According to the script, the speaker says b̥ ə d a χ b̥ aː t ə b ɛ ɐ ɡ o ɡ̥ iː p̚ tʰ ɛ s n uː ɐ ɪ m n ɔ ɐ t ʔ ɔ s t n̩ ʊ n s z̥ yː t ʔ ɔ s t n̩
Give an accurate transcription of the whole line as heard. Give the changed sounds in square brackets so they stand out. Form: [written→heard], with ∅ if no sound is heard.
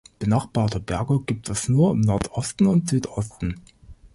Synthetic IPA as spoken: b̥ ə [d→n] a χ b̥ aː t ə b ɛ ɐ ɡ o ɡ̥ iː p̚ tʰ ɛ s n uː ɐ ɪ m n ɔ ɐ t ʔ ɔ s t n̩ ʊ n [s→t] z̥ yː t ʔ ɔ s t n̩